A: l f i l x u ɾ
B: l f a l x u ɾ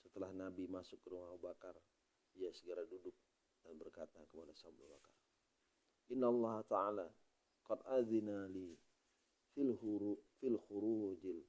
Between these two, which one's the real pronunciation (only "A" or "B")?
A